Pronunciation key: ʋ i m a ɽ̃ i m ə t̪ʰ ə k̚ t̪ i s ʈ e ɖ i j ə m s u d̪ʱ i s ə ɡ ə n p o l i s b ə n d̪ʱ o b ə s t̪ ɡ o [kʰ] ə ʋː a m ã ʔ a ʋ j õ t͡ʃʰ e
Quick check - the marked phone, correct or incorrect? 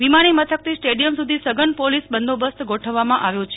incorrect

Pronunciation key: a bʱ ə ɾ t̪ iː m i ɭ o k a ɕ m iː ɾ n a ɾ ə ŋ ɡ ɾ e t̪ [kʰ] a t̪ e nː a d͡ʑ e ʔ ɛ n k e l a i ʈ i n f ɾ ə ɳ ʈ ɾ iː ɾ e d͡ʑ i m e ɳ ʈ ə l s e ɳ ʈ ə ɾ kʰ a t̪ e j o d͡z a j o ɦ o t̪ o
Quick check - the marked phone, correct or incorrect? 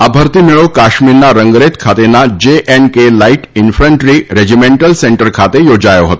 correct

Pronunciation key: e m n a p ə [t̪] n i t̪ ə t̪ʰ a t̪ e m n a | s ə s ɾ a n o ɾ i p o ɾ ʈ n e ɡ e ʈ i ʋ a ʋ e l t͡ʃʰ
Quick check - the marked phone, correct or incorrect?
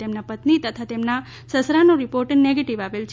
correct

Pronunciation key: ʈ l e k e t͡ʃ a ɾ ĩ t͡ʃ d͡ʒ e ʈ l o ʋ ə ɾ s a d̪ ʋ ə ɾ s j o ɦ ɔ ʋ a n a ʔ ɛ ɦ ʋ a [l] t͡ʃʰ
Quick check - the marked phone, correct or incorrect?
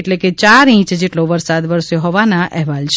correct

